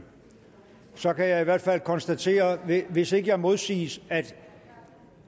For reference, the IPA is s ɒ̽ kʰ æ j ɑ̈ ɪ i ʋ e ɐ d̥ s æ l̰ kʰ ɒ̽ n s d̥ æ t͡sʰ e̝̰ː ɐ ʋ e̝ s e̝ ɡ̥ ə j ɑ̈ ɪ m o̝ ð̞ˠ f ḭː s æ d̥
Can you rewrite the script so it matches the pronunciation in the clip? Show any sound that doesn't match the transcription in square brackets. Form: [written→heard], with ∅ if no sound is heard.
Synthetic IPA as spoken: s ɒ̽ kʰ æ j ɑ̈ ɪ i ʋ [e→æ] ɐ d̥ [s→f] æ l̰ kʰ ɒ̽ n s d̥ æ t͡sʰ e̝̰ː ɐ ʋ e̝ s e̝ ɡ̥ ə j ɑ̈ ɪ m o̝ ð̞ˠ [f→s] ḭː s æ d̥